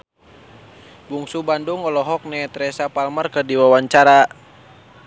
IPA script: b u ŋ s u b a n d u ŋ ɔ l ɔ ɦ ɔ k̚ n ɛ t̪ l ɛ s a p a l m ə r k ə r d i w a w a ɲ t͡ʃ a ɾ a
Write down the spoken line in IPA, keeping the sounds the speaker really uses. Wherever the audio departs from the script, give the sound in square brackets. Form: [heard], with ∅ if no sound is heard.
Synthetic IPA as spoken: b u ŋ s u b a n d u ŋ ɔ l ɔ ɦ ɔ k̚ n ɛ t̪ [ɾ] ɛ s a p a l m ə r k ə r d i w a w a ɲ t͡ʃ a ɾ a